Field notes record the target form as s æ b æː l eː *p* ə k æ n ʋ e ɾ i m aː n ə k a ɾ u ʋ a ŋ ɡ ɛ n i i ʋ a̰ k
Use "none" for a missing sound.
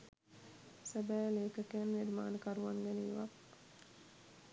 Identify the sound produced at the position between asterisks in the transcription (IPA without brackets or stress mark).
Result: k